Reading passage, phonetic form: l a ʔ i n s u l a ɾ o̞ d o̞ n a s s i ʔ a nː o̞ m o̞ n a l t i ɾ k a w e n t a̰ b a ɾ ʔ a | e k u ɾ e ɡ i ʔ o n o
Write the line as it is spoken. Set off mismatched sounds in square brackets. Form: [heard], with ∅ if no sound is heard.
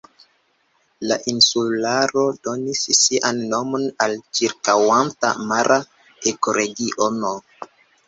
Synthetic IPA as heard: l a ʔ i n s u l a ɾ o̞ d o̞ n [i] s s i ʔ a nː o̞ m o̞ n a l [t͡ʃ] i ɾ k a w [a] n t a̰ [m] a ɾ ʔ a | e k [o] ɾ e ɡ i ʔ o n o